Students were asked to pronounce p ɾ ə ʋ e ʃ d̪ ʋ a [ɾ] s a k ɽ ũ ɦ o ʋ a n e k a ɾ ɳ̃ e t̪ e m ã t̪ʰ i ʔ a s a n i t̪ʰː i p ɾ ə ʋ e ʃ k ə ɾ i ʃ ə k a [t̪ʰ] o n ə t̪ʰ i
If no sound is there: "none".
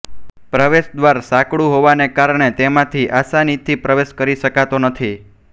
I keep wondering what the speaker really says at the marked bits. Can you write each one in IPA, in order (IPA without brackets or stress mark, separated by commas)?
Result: ɾ, t̪